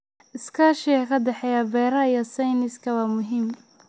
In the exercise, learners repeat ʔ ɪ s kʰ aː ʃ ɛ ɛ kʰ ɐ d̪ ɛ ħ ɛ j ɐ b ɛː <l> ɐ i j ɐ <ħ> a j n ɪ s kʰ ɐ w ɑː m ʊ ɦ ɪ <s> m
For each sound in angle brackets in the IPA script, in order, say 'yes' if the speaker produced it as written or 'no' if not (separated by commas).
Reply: no, no, no